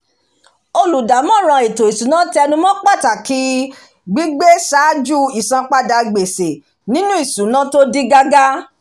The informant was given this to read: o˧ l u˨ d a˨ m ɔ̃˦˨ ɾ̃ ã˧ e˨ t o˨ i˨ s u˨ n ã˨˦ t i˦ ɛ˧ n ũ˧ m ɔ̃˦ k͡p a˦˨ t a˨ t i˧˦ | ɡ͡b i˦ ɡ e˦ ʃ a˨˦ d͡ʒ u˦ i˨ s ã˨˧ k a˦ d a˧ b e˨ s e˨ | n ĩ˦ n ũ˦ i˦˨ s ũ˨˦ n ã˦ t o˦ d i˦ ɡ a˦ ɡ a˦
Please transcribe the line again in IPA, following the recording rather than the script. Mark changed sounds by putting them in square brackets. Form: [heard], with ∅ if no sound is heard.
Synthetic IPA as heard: o˧ l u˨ d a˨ m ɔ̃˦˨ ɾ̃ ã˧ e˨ t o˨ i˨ s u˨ n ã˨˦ t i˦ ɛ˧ n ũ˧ m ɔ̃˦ k͡p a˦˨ t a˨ [k] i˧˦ | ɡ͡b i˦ [ɡ͡b] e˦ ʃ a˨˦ d͡ʒ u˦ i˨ s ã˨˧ [k͡p] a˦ d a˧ [ɡ͡b] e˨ s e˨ | n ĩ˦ n ũ˦ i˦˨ s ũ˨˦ n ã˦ t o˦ d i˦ ɡ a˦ ɡ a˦

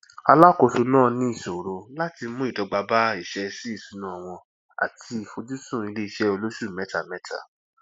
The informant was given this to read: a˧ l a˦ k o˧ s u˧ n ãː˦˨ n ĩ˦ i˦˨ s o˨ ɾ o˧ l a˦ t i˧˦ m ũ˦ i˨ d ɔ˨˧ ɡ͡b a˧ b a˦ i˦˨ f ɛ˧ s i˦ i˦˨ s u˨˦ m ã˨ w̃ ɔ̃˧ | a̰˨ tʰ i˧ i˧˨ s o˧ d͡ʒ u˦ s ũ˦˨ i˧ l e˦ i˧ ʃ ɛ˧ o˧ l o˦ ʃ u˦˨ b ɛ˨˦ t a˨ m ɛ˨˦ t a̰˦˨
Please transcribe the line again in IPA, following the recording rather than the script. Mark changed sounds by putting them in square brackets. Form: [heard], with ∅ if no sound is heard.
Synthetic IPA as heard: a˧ l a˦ k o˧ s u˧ n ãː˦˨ n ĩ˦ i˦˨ s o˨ ɾ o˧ l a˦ t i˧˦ m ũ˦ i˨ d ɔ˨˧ ɡ͡b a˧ b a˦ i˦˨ [ʃ] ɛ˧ s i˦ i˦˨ s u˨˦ [n] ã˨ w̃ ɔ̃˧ | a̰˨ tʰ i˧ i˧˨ [f] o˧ d͡ʒ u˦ s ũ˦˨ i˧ l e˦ i˧ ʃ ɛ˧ o˧ l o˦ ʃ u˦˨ [m] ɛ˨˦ t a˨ m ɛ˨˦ t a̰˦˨

